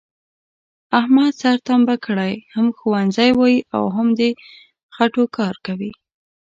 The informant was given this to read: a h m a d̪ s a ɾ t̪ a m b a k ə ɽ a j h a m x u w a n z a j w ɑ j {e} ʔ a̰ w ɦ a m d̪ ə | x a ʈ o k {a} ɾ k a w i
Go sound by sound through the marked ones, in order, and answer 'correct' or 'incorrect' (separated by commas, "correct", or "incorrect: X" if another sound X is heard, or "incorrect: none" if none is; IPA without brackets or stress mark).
incorrect: i, incorrect: ɑ